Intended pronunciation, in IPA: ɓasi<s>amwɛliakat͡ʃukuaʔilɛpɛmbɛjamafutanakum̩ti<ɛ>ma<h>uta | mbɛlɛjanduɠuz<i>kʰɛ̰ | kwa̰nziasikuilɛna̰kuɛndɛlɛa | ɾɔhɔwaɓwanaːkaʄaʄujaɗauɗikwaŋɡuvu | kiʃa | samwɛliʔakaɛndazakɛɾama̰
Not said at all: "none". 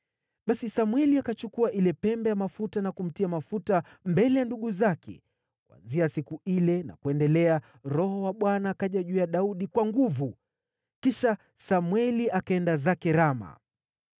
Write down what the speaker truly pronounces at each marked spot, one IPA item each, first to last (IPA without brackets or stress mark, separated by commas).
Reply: s, a, f, a